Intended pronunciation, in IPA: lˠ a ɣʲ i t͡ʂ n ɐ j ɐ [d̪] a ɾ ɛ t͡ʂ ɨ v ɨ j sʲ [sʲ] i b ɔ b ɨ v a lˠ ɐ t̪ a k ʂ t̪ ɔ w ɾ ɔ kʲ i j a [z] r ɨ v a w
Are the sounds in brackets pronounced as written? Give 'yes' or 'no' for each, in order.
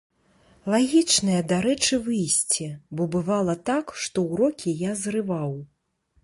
yes, no, yes

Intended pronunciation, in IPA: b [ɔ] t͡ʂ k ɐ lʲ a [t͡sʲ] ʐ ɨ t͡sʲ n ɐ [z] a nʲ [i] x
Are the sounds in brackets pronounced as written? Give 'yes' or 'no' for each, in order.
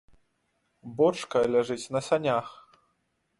yes, no, no, no

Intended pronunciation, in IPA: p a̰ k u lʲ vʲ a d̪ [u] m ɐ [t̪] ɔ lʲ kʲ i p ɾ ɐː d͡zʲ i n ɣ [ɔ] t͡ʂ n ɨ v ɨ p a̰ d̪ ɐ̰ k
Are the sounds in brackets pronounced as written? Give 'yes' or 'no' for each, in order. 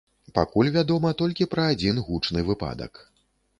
no, yes, no

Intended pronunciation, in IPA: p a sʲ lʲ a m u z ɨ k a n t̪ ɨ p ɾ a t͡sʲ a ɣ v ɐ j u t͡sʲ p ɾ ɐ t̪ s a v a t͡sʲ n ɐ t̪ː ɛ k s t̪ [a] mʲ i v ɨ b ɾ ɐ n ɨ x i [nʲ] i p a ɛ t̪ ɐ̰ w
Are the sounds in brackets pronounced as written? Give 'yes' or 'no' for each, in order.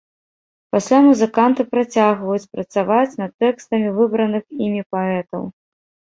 no, no

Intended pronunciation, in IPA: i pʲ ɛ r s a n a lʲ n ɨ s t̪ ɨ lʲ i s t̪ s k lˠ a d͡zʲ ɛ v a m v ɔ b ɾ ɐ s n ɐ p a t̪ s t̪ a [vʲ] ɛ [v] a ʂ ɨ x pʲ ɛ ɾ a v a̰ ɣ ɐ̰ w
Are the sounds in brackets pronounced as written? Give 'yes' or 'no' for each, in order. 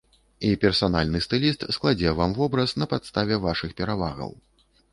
yes, yes

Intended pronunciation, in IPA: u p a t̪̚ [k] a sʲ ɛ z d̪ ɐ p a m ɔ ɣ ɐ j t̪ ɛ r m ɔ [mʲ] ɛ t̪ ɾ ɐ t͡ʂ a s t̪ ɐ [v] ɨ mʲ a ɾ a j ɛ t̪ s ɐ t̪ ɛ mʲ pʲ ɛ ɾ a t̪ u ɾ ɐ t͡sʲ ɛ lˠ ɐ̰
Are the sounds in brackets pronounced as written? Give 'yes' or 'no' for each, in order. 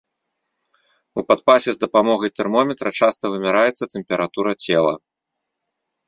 no, yes, yes

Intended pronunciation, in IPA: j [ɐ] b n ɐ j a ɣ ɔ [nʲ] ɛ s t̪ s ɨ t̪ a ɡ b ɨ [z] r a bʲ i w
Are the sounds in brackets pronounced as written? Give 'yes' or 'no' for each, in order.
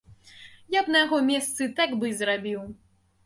no, no, yes

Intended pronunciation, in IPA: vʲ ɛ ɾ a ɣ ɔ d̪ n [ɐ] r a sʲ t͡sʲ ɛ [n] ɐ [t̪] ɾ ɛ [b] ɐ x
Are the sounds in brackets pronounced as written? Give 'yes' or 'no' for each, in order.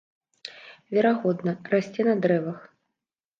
yes, yes, no, no

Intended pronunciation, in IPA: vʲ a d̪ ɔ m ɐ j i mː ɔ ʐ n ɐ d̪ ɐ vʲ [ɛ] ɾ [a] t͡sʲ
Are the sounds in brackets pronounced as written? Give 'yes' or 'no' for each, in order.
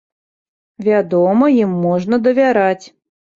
no, yes

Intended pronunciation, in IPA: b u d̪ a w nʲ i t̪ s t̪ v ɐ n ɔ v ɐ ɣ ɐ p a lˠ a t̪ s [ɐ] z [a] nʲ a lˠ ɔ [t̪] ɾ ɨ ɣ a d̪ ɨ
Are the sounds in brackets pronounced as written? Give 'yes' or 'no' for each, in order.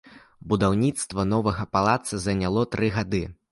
yes, no, yes

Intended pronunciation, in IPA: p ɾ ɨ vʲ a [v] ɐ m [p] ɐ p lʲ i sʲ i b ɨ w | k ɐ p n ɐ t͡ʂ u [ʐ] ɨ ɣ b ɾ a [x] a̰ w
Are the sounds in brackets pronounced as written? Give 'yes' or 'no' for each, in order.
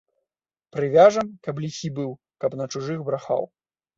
no, no, yes, yes

